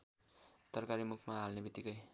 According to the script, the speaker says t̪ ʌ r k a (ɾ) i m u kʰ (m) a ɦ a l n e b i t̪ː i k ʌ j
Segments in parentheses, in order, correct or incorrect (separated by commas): correct, correct